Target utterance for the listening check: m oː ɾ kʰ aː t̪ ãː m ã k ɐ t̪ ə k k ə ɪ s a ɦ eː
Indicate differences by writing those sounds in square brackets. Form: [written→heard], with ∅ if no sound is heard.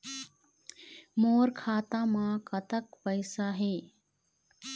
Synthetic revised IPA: m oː ɾ kʰ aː t̪ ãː m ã k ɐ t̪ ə k [k→p] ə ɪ s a ɦ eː